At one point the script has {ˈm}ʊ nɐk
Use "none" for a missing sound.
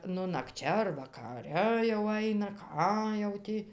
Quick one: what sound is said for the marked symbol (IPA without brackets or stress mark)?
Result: n